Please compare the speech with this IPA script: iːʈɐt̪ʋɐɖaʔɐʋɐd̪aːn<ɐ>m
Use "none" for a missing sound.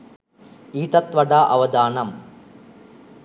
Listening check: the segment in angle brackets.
ɐ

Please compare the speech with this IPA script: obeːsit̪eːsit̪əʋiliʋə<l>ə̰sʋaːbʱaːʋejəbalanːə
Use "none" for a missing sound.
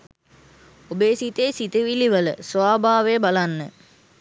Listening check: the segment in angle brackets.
l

